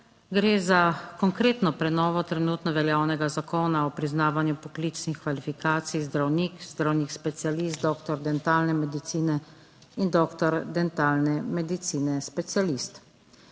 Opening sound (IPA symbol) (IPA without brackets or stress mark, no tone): ɡ